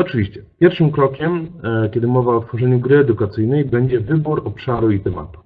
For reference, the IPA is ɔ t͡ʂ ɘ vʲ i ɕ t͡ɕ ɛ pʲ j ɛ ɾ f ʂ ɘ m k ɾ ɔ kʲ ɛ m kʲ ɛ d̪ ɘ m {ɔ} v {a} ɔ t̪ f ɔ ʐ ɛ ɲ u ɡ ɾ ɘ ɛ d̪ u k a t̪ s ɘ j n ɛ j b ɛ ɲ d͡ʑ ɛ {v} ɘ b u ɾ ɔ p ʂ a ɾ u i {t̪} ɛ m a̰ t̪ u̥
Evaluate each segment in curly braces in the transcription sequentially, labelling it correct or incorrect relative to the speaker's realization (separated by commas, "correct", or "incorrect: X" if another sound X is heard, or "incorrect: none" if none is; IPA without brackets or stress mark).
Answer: correct, correct, correct, correct